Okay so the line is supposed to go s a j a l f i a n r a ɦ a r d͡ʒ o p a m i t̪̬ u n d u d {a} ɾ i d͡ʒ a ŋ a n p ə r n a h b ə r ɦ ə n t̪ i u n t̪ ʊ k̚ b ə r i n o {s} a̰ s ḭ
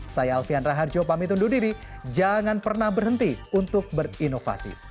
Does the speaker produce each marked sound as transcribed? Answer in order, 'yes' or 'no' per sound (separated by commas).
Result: no, no